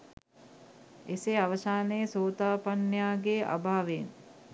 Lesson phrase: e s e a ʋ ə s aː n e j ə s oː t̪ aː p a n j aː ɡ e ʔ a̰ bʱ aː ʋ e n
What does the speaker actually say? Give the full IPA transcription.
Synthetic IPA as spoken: e s e a ʋ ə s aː n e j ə s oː t̪ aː p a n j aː ɡ e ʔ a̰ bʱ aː ʋ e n